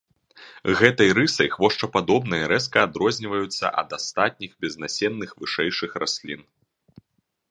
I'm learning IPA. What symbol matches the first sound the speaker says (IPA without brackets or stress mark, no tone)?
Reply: ɣ